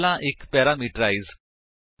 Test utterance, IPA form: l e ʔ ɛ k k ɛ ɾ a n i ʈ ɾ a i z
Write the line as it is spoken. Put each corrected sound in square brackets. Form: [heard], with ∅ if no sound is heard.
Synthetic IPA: l [a] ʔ [e] k [p] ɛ ɾ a [m] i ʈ ɾ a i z